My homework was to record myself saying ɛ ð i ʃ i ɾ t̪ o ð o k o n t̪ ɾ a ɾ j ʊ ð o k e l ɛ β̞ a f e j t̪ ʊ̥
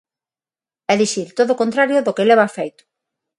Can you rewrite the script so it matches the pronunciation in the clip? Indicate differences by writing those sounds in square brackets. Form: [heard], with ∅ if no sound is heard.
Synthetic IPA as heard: ɛ ð i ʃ i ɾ t̪ o ð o k o n t̪ ɾ a ɾ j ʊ ð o k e l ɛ β̞ a f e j t̪ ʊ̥